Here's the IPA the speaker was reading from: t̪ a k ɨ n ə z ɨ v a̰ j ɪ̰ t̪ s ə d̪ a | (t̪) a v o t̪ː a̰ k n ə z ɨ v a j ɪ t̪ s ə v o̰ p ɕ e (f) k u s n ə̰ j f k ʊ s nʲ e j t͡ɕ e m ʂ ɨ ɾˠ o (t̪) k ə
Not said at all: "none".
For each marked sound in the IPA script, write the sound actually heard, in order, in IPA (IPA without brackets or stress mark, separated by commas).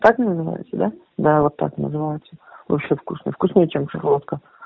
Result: d̪, f, t̪